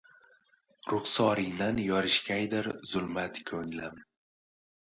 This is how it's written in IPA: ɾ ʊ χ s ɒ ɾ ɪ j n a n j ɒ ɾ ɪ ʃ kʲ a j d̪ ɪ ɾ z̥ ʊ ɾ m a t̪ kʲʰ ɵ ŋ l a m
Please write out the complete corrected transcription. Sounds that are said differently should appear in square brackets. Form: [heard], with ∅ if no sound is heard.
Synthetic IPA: ɾ ʊ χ s ɒ ɾ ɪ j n a n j ɒ ɾ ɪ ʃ kʲ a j d̪ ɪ ɾ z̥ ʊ [l] m a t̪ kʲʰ ɵ ŋ l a m